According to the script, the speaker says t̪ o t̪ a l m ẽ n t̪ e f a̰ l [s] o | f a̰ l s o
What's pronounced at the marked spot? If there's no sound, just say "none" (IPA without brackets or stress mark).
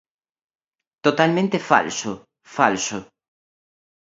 s